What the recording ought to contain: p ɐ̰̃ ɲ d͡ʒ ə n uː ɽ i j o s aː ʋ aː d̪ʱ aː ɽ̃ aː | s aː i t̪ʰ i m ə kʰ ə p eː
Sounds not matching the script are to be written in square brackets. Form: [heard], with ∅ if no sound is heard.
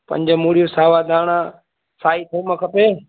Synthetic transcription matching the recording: p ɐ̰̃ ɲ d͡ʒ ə [m] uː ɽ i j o s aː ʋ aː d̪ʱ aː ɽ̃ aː | s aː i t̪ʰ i m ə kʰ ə p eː